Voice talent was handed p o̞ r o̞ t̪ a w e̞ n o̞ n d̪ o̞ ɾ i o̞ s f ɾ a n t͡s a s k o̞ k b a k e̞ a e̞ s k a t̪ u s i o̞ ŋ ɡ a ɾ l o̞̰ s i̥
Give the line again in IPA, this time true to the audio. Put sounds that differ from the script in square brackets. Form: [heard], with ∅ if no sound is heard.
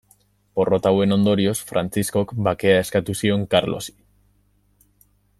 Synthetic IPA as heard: p o̞ r o̞ t̪ a w e̞ n o̞ n d̪ o̞ ɾ i o̞ s f ɾ a n t͡s [i] s k o̞ k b a k e̞ a e̞ s k a t̪ u s i o̞ ŋ [k] a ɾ l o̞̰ s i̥